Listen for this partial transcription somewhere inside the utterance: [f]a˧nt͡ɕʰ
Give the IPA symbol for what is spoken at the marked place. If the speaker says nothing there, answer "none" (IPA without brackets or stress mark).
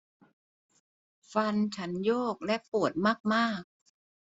f